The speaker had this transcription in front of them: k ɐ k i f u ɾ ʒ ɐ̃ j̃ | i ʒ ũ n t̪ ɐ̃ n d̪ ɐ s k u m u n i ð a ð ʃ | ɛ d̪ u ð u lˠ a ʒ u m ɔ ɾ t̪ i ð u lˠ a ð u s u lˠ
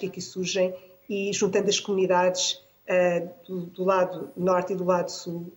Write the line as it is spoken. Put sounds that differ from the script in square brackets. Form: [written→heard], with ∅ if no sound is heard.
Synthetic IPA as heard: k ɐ k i [f→s] u ɾ ʒ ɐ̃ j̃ | i ʒ ũ n t̪ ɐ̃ n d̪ ɐ [s→ʃ] k u m u n i ð a ð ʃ | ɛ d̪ u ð u lˠ a [ʒ→ð] u [m→n] ɔ ɾ t̪ i ð u lˠ a ð u s u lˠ